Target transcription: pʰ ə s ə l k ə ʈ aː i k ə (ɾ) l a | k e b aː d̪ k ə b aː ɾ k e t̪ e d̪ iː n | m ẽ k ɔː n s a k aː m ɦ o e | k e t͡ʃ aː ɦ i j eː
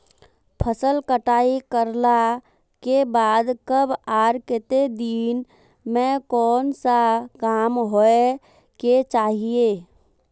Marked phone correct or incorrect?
correct